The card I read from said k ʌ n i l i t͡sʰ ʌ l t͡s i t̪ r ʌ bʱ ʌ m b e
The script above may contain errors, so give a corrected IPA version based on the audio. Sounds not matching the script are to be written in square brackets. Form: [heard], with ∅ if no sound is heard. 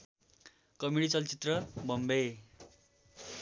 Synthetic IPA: k ʌ [m] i [ɽ] i [t͡s] ʌ l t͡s i t̪ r ʌ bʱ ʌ m b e